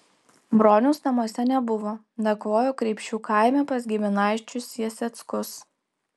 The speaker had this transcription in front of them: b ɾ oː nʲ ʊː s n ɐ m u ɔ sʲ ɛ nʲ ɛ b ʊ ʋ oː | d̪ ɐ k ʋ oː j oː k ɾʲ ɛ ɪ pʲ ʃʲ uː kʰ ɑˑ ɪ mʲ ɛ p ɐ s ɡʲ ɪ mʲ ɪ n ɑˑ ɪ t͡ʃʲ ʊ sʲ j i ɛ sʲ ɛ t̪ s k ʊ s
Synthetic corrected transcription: b ɾ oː nʲ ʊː s n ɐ m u ɔ sʲ ɛ nʲ ɛ b ʊ ʋ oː | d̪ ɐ k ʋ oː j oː k ɾʲ ɛ ɪ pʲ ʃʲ uː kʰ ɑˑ ɪ mʲ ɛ p ɐ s ɡʲ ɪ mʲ ɪ n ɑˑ ɪ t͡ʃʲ ʊ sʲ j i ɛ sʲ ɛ t̪ s k ʊ s